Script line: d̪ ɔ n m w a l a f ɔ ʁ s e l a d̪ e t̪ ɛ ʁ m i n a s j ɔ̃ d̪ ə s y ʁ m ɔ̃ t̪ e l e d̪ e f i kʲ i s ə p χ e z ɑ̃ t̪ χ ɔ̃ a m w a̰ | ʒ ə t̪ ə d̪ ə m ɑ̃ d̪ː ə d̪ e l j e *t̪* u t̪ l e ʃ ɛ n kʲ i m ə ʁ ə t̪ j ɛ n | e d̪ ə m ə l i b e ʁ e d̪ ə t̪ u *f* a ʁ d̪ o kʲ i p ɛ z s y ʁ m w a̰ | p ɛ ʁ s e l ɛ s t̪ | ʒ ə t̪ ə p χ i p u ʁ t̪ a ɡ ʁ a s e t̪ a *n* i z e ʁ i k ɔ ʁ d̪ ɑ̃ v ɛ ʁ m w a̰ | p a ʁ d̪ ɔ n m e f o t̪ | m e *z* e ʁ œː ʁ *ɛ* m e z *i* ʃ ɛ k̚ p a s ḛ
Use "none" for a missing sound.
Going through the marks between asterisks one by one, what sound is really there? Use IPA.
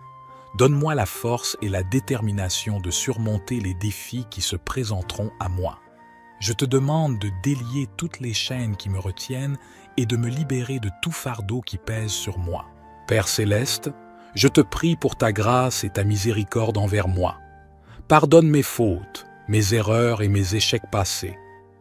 t̪, f, m, z, e, e

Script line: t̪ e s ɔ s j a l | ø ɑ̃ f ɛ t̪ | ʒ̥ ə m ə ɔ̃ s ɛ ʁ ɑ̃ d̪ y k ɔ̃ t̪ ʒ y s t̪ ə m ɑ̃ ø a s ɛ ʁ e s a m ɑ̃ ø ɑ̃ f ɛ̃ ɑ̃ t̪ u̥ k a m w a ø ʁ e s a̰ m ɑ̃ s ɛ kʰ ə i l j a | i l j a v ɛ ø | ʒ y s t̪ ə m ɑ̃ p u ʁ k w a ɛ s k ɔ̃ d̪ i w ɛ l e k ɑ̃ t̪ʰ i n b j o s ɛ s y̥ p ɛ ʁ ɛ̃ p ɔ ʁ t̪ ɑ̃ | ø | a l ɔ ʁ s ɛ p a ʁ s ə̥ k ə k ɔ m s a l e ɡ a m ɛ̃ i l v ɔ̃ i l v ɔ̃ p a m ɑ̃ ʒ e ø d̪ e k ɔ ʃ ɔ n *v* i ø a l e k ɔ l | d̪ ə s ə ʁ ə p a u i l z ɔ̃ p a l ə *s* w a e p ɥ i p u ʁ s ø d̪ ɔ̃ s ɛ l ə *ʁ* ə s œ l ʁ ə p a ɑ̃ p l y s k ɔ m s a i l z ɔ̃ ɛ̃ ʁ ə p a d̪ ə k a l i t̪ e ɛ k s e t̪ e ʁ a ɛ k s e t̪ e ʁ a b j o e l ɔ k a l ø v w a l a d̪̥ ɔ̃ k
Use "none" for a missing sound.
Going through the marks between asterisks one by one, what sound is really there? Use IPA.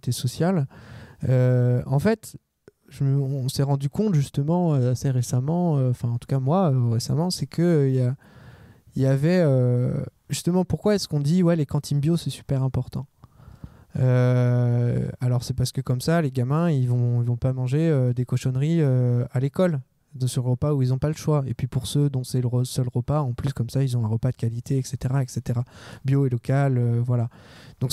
ʁ, ʃ, ʁ

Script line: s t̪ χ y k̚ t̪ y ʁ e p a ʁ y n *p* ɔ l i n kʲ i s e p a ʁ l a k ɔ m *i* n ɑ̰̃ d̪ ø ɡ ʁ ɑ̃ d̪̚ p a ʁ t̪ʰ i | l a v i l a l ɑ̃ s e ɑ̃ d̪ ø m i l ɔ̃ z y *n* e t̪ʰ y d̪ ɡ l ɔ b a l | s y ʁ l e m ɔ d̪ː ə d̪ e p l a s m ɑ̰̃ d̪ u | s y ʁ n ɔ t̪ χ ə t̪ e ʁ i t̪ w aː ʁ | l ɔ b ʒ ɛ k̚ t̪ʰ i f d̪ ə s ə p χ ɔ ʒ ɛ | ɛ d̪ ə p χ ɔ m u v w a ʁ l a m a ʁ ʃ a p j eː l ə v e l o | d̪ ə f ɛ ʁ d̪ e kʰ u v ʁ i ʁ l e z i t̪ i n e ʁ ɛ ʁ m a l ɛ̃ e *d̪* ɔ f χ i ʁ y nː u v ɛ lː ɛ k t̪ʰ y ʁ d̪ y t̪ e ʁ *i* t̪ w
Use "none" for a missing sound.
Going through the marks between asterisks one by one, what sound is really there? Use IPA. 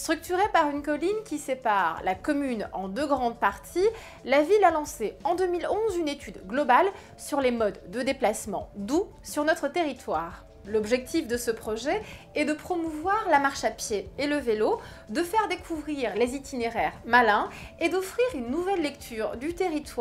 k, y, n, d̪, i

